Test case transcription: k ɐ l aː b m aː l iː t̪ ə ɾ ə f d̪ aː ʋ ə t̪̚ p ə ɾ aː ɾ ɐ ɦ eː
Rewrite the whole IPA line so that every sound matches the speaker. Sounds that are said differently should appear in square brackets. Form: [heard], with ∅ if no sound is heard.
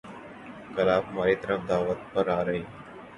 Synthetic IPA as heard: k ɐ l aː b m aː [ɾ] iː t̪ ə ɾ ə f d̪ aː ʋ ə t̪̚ p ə ɾ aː ɾ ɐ ɦ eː